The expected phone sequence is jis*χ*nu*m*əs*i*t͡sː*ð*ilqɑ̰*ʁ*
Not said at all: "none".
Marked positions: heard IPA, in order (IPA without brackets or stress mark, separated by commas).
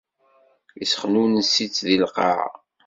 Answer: χ, n, i, ð, ʕ